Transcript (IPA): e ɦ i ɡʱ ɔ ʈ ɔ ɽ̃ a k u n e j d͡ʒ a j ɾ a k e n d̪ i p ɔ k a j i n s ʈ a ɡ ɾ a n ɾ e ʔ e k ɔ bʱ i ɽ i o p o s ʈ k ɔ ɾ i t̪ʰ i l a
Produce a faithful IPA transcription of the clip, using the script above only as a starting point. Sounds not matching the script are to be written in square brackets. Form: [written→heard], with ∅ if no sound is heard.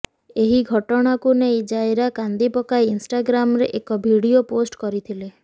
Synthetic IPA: e ɦ i ɡʱ ɔ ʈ ɔ ɽ̃ a k u n e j d͡ʒ a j ɾ a k [e→a] n d̪ i p ɔ k a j i n s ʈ a ɡ ɾ a [n→m] ɾ e ʔ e k ɔ bʱ i ɽ i o p o s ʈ k ɔ ɾ i t̪ʰ i l [a→e]